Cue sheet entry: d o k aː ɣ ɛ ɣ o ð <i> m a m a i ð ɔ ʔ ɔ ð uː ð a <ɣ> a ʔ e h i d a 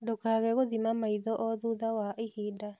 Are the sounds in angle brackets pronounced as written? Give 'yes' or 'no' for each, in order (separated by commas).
yes, no